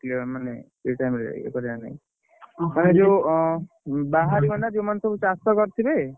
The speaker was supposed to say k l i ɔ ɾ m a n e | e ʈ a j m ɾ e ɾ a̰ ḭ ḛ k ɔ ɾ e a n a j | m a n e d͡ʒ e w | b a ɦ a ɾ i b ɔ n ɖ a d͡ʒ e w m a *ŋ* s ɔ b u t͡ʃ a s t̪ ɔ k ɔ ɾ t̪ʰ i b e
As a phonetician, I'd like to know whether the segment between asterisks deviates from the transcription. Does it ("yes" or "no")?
yes